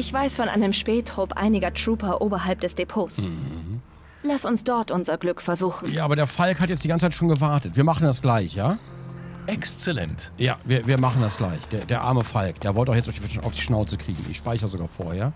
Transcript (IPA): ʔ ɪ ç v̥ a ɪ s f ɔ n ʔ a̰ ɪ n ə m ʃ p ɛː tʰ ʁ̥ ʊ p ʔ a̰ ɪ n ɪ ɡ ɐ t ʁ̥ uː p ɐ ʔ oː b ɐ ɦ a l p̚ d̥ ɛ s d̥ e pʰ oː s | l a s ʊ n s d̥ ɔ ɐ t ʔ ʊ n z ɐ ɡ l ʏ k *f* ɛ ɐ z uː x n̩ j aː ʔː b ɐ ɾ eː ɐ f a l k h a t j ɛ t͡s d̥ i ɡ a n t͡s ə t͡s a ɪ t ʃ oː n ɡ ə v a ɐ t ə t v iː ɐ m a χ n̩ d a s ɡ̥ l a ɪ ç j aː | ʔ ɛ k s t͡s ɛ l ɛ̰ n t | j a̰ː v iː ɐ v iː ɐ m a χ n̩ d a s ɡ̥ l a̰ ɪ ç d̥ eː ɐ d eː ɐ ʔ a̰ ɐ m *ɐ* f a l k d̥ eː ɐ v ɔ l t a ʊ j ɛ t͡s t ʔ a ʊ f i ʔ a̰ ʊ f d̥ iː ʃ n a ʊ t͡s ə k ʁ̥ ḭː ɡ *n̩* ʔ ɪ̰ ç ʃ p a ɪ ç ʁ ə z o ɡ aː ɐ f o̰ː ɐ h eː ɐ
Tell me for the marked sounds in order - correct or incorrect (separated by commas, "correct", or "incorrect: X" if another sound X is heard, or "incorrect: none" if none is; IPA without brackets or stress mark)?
correct, incorrect: ə, incorrect: ŋ̩